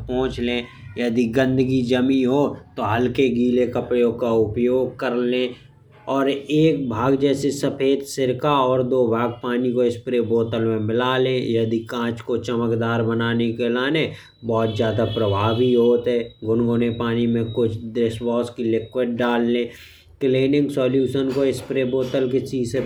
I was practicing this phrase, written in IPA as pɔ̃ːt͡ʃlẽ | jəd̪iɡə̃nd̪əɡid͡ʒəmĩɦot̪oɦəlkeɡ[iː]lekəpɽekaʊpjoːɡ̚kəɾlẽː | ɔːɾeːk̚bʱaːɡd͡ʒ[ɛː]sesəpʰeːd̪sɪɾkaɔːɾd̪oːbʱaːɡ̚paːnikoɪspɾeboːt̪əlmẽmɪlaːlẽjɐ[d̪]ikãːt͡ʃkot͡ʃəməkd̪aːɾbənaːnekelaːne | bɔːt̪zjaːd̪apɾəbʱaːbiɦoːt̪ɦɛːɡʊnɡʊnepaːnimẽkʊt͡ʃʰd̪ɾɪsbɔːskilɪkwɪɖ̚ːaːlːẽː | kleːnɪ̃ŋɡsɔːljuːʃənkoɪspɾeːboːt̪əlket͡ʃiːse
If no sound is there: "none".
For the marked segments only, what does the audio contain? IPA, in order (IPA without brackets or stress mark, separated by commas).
iː, ɛː, d̪